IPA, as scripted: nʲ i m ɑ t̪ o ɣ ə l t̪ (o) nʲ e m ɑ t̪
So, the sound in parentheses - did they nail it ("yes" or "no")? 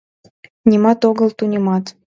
no